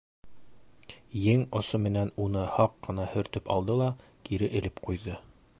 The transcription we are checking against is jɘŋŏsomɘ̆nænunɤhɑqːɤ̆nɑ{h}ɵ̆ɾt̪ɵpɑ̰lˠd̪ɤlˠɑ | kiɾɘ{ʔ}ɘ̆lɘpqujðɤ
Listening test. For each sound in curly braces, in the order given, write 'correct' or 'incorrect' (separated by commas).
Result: correct, correct